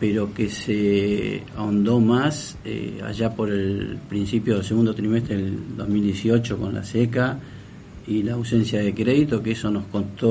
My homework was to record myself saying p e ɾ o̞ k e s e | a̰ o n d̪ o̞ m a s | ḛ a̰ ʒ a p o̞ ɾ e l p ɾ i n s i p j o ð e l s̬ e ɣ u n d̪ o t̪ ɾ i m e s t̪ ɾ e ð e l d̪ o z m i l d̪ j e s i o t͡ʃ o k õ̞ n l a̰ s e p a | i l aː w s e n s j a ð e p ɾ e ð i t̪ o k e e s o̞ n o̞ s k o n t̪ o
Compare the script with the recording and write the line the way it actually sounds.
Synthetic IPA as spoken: p e ɾ o̞ k e s e | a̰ o n d̪ o̞ m a s | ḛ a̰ ʒ a p o̞ ɾ e l p ɾ i n s i p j o ð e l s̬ e ɣ u n d̪ o t̪ ɾ i m e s t̪ ɾ e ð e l d̪ o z m i l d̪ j e s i o t͡ʃ o k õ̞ n l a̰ s e k a | i l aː w s e n s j a ð e k ɾ e ð i t̪ o k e e s o̞ n o̞ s k o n t̪ o